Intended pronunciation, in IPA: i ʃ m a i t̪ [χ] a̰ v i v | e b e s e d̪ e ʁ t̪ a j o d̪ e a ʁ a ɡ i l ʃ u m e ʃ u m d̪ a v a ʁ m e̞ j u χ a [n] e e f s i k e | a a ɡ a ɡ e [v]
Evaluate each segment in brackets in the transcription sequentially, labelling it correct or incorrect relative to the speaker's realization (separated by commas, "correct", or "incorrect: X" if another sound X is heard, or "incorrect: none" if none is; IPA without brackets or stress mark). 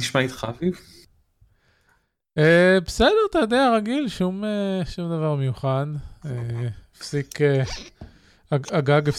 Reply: correct, correct, incorrect: f